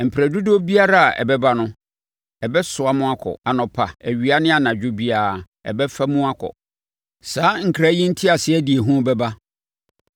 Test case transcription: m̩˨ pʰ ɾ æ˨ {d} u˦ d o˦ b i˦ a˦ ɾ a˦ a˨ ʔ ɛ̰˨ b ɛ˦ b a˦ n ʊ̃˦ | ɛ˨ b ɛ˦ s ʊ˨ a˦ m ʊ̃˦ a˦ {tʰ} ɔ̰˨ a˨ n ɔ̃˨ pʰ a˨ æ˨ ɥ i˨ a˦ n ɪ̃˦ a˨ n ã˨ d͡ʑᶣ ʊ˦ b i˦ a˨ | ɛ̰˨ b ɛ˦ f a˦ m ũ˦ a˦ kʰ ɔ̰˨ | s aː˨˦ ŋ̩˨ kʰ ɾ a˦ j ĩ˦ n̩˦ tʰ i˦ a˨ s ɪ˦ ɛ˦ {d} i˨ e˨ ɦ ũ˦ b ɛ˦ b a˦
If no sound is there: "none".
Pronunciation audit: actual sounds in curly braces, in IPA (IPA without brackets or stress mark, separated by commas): d, kʰ, d